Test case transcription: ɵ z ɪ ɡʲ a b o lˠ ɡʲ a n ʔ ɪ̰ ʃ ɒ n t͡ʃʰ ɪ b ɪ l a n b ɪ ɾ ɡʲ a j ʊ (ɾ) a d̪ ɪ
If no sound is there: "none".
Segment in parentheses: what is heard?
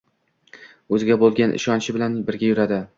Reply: ɾ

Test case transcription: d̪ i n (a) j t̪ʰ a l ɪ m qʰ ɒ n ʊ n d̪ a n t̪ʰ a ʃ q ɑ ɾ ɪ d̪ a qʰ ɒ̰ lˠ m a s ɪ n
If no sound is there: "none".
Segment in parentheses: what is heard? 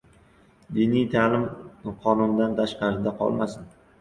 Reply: i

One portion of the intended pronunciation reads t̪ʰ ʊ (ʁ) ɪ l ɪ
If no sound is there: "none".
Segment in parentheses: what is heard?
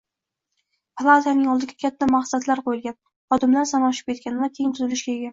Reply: z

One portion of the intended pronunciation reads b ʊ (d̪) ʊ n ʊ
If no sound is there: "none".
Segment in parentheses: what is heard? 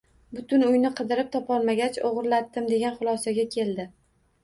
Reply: t̪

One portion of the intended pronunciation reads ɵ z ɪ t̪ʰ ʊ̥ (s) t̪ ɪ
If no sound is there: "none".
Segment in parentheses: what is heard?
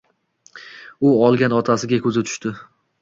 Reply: ʃ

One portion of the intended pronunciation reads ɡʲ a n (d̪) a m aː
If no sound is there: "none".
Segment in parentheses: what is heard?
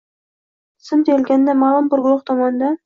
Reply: d̪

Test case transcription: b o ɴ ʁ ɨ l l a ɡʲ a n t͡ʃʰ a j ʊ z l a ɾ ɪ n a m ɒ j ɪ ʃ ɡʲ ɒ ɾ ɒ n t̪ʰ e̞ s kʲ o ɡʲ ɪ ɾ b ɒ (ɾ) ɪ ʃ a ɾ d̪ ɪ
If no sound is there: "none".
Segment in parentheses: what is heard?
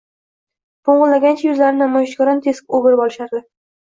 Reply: l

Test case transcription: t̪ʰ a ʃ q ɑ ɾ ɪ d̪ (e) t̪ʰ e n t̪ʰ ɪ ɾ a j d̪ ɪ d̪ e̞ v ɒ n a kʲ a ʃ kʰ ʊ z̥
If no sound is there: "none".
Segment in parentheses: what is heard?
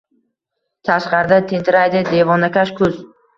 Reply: a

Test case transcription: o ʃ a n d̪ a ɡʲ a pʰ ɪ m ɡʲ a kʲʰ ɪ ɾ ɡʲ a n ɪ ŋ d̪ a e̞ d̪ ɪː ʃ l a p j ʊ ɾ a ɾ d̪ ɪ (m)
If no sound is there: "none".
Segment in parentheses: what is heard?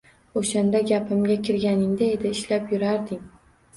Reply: ŋ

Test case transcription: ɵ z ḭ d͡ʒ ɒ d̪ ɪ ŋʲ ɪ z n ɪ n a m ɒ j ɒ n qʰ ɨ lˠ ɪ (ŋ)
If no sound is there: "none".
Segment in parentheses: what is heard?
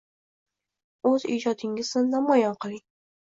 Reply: ŋ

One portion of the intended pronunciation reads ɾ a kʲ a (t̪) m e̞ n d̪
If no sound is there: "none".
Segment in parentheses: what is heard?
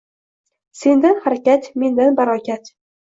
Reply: t̪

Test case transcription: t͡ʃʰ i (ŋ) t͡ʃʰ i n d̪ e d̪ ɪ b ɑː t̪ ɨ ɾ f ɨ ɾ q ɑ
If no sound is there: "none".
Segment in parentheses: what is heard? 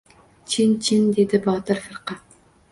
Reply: n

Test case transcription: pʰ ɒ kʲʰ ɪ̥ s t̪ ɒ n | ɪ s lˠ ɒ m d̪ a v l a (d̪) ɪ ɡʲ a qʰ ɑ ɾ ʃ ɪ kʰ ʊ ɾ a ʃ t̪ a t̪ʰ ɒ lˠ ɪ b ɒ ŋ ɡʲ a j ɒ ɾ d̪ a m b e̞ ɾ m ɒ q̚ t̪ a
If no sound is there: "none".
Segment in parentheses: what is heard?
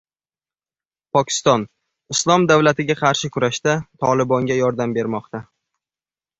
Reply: t̪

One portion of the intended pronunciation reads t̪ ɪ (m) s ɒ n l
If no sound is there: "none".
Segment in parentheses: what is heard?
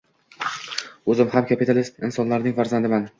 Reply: n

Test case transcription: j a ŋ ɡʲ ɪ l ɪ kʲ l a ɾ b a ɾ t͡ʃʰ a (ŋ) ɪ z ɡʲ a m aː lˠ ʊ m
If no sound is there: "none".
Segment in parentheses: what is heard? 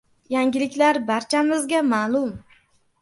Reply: m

